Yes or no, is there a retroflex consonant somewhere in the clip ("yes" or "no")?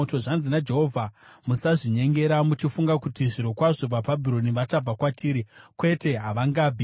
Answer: yes